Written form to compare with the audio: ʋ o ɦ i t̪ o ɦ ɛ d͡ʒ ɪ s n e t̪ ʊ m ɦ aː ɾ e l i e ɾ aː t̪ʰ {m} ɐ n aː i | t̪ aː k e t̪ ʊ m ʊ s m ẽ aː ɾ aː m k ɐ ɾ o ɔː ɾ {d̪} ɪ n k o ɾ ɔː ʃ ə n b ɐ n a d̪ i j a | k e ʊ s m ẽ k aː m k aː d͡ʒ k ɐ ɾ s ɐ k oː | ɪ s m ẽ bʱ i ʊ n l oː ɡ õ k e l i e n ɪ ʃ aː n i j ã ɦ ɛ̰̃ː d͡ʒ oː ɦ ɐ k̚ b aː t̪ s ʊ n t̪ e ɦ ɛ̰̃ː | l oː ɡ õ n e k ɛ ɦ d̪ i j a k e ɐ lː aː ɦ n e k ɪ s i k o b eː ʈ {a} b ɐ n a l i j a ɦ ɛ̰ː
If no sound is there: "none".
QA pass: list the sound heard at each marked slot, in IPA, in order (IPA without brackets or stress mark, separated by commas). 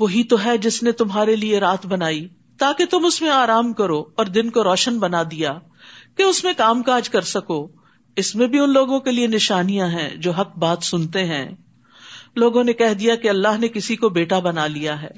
b, d̪, a